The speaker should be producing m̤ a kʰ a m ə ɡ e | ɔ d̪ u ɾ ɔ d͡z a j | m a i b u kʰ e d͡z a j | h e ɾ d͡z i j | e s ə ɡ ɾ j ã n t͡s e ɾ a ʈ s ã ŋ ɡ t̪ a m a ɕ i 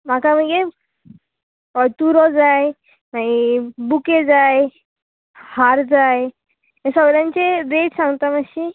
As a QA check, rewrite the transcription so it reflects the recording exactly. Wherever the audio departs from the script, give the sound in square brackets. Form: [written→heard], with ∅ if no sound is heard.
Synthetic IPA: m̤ a [kʰ→k] a m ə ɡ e | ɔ [d̪→t̪] u ɾ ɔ d͡z a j | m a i b u [kʰ→k] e d͡z a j | h [e→a] ɾ d͡z [i→a] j | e s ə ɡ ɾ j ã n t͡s e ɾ [a→e] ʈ s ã ŋ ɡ t̪ a m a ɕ i